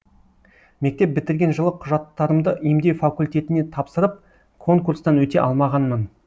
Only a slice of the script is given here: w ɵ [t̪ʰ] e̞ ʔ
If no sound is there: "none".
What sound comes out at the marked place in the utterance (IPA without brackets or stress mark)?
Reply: t̪